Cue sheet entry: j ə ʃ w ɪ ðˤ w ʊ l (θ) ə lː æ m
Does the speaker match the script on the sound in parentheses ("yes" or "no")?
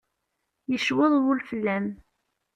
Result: no